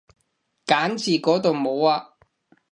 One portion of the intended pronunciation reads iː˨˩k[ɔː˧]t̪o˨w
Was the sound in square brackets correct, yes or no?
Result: no